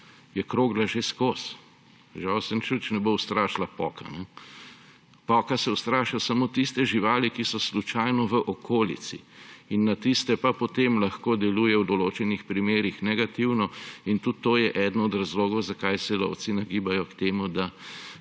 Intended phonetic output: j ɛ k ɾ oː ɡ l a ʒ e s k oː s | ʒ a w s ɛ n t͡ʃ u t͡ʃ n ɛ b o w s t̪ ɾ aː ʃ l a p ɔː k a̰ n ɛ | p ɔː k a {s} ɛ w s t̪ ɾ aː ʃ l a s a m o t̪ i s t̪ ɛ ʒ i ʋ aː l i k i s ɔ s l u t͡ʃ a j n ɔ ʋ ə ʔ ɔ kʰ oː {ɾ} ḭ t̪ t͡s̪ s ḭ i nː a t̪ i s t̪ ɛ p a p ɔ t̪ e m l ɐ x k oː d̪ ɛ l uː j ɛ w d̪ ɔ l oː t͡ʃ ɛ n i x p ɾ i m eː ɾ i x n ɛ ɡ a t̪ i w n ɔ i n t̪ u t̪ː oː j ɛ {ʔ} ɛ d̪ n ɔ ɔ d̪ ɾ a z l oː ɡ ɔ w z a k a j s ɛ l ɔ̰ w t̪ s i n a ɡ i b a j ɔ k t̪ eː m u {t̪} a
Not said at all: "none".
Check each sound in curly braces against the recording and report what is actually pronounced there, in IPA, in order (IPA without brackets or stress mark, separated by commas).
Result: s, l, ʔ, d̪